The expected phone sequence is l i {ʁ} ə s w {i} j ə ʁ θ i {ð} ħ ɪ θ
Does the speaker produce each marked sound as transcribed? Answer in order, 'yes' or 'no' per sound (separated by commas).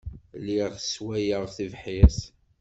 yes, no, no